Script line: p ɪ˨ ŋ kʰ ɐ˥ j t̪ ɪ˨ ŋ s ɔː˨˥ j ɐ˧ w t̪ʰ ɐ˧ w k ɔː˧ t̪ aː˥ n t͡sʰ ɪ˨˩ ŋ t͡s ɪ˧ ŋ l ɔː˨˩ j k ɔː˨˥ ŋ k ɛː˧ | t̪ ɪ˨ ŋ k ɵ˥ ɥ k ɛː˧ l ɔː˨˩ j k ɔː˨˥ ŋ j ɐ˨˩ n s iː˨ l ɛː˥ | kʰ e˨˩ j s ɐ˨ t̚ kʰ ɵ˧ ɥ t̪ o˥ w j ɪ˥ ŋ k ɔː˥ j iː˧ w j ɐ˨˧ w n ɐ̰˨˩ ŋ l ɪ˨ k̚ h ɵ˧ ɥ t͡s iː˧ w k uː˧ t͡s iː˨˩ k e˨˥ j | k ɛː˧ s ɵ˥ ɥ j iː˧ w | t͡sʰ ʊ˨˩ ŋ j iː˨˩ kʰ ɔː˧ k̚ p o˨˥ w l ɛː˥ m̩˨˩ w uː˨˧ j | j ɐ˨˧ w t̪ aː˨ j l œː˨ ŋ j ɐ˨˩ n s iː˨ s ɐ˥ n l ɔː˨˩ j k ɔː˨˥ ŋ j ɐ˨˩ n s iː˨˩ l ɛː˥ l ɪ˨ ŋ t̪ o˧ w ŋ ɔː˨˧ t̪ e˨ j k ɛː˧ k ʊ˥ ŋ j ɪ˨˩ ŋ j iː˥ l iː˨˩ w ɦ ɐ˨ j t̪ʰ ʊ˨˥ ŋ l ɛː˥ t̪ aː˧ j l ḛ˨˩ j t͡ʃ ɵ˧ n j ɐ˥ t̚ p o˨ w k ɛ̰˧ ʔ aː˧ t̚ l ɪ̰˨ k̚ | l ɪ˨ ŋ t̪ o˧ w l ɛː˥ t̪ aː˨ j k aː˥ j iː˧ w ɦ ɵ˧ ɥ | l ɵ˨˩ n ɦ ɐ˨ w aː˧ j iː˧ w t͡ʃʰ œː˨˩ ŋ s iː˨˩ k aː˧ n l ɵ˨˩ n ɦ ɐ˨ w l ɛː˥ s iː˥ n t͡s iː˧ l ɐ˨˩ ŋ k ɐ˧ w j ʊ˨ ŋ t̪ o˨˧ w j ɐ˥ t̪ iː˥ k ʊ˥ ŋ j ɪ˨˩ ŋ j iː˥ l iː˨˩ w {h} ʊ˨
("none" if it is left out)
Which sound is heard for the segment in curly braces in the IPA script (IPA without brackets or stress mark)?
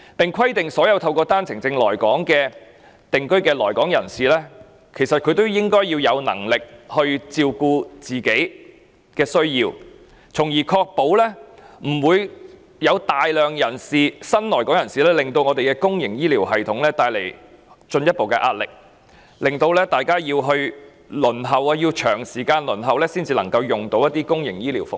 f